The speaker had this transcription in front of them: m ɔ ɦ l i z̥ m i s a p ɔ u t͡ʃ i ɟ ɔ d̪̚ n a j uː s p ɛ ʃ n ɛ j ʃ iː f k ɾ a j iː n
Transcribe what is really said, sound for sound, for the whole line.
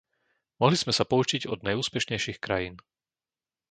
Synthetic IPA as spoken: m ɔ ɦ l i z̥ m ɛ s a p ɔ u t͡ʃ i ɟ ɔ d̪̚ n a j uː s p ɛ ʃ ɲ ɛ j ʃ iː x k ɾ a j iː n